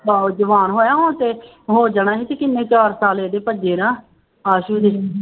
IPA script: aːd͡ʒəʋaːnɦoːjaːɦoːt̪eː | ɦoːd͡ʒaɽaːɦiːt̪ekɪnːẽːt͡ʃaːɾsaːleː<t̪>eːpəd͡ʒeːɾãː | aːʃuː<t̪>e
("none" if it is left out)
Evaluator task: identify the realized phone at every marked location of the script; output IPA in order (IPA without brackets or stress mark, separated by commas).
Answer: d̪, d̪